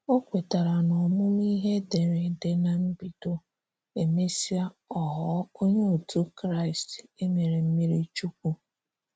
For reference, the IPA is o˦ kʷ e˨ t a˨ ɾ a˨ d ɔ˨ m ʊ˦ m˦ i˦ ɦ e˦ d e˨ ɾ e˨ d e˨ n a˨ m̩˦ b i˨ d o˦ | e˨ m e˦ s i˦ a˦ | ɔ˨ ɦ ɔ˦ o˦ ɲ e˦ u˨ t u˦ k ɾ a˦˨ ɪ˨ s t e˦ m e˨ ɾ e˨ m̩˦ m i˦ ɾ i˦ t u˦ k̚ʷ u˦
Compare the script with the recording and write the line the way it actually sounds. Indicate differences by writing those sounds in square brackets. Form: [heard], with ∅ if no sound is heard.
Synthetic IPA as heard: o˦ kʷ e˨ t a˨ ɾ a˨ [n] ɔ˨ m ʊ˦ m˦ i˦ ɦ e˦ d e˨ ɾ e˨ d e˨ n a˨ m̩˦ b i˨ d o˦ | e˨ m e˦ s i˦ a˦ | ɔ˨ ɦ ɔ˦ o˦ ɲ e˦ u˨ t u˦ k ɾ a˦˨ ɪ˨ s t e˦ m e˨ ɾ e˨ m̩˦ m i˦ ɾ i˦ [t͡ʃ] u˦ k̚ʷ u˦